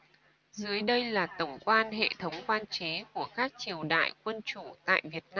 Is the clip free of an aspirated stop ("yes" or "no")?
no